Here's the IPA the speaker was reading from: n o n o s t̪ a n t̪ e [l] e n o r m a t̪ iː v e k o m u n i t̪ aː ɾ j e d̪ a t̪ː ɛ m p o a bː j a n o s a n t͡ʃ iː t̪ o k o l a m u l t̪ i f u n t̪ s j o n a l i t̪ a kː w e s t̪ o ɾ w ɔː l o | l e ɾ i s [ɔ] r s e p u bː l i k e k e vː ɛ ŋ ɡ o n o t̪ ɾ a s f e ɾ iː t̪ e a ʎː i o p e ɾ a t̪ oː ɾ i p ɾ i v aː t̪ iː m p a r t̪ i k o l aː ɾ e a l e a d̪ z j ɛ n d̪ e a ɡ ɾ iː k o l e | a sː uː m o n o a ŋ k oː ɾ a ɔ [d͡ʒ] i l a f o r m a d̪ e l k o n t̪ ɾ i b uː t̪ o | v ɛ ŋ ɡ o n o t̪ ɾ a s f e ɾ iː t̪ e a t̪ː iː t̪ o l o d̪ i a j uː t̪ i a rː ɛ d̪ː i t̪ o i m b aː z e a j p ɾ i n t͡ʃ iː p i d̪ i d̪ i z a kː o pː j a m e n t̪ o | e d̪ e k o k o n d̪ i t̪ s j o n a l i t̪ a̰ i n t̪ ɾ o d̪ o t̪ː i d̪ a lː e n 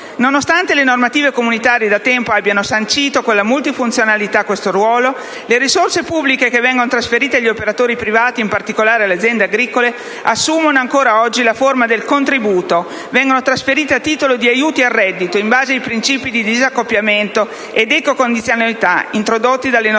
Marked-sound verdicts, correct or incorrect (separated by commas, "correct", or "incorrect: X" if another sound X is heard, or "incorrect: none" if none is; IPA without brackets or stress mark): correct, incorrect: o, incorrect: d͡ʒː